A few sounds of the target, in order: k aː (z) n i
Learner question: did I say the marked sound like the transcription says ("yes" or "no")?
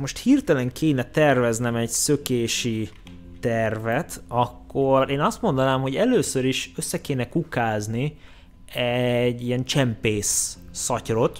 yes